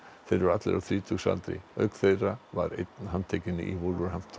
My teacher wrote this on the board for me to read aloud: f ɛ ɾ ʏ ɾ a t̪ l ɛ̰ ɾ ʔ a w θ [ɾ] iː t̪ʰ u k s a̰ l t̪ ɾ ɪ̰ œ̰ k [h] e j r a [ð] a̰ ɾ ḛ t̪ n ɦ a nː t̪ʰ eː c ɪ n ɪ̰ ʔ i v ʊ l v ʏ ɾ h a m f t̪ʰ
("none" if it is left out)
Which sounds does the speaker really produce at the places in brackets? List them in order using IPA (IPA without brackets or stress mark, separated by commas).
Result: ɾ, θ, v